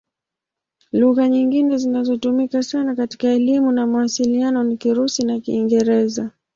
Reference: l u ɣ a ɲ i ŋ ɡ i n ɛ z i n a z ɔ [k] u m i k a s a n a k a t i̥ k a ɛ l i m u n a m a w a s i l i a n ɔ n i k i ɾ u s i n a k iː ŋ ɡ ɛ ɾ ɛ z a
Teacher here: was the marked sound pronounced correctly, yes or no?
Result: no